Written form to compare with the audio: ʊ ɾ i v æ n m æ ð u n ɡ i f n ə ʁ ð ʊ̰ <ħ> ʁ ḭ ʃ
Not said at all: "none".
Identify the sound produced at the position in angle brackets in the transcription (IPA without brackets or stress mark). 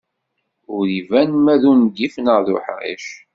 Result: ħ